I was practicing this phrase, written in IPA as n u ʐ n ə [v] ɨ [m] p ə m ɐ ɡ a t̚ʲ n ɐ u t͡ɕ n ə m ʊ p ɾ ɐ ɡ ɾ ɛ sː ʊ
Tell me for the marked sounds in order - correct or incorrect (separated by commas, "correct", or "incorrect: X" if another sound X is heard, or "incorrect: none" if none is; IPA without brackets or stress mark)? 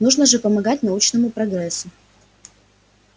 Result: incorrect: ʐ, incorrect: none